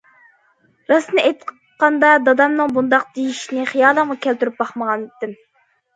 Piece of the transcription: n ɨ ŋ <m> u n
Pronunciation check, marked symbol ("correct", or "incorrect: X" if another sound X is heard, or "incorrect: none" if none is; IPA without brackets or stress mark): incorrect: b